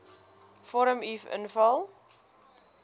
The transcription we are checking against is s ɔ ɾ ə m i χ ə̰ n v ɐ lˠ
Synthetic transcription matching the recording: f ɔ ɾ ə m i f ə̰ n f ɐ lˠ